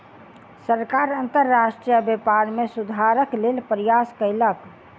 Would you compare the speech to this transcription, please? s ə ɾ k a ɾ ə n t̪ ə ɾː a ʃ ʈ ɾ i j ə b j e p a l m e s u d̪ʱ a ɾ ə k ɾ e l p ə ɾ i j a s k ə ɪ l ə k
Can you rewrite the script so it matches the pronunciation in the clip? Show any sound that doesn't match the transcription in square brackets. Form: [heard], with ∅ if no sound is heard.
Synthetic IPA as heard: s ə ɾ k a ɾ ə n t̪ ə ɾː a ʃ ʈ ɾ i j ə b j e p a [ɾ] m e s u d̪ʱ a ɾ ə k [l] e l p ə ɾ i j a s k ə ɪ l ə k